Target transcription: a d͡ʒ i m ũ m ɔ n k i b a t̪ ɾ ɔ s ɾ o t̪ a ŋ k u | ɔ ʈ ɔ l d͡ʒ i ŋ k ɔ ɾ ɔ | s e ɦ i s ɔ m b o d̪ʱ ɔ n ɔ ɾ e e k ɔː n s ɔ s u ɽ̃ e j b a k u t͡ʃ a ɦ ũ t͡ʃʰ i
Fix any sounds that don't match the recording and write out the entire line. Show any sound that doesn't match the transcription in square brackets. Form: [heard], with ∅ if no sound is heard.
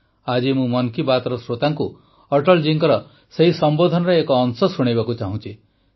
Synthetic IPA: a d͡ʒ i m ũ m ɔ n k i b a t̪ ɾ ɔ s ɾ o t̪ a ŋ k u | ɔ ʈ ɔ l d͡ʒ i ŋ k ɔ ɾ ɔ | s e ɦ i s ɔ m b o d̪ʱ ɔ n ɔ ɾ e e k ɔː n s ɔ s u ɽ̃ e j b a k u t͡ʃ a ɦ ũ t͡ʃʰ i